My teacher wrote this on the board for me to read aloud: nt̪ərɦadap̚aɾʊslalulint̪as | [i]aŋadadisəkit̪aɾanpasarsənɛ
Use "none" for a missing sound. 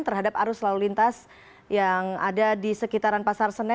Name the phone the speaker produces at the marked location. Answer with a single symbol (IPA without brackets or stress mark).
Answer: j